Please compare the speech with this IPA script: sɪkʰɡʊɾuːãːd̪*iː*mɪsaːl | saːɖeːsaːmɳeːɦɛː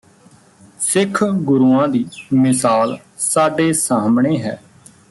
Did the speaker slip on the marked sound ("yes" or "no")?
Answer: no